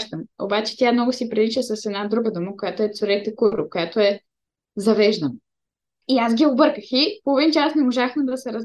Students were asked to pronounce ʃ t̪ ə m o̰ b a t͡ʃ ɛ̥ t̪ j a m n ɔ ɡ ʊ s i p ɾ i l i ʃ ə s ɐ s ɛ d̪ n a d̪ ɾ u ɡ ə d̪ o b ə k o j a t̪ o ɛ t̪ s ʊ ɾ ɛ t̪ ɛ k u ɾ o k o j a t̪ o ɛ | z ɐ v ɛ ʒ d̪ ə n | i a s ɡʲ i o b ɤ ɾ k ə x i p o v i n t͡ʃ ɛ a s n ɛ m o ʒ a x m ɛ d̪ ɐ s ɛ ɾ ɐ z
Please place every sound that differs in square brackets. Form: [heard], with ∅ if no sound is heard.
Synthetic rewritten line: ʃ t̪ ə m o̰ b a t͡ʃ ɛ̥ t̪ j a m n ɔ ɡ ʊ s i p ɾ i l i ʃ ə s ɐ s ɛ d̪ n a d̪ ɾ u ɡ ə d̪ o [m] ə k o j a t̪ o ɛ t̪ s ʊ ɾ ɛ t̪ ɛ k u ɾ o k o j a t̪ o ɛ | z ɐ v ɛ ʒ d̪ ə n | i a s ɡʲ i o b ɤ ɾ k ə x i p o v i n t͡ʃ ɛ a s n ɛ m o ʒ a x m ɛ d̪ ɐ s ɛ ɾ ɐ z